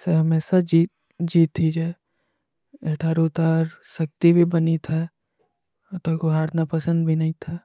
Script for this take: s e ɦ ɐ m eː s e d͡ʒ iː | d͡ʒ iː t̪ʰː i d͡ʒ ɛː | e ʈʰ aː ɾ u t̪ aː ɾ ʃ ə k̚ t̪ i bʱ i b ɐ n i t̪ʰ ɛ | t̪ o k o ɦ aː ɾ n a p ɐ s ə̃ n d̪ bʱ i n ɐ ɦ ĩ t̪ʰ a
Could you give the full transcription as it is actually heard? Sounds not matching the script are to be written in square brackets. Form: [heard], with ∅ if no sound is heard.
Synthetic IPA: s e ɦ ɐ m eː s [a] d͡ʒ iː | d͡ʒ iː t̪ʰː i d͡ʒ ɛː | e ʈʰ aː ɾ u t̪ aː ɾ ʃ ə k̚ t̪ i bʱ i b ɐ n i t̪ʰ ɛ | t̪ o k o ɦ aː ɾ n a p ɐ s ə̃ n d̪ bʱ i n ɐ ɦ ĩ t̪ʰ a

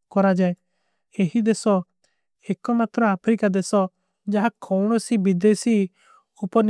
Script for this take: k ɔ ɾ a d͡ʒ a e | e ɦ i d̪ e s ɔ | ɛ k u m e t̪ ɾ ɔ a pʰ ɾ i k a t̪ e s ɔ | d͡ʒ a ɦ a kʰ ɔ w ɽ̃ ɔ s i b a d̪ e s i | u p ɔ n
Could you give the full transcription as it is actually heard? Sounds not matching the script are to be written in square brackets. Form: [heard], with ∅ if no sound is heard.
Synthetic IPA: k ɔ ɾ a d͡ʒ a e | e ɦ i d̪ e s ɔ | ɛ k [ɔ] m [a] t̪ ɾ ɔ a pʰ ɾ i k a [d̪] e s ɔ | d͡ʒ a ɦ a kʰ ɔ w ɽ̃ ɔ s i b [i] d̪ e s i | u p ɔ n

